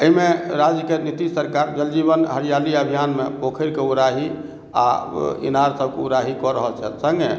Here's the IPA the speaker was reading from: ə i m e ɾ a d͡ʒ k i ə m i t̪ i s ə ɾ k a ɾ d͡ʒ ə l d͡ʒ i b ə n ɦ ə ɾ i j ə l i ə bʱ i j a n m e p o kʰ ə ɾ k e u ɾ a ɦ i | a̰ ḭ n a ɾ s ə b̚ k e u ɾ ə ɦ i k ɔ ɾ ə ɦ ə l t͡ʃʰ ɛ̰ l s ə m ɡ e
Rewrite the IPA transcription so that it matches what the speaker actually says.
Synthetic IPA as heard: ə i m e ɾ a d͡ʒ k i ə n i t̪ i s ə ɾ k a ɾ d͡ʒ ə l d͡ʒ i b ə n ɦ ə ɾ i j a l i ə bʱ i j a n m e p o kʰ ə ɾ k e u ɾ a ɦ i | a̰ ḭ n a ɾ s ə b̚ k e u ɾ a ɦ i k ɔ ɾ ə ɦ ə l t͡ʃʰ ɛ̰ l s ə ŋ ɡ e